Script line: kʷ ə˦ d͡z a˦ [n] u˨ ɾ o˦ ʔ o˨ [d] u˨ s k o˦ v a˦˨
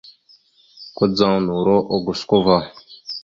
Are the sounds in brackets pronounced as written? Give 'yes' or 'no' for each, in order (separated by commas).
yes, no